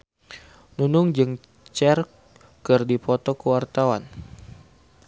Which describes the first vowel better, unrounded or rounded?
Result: rounded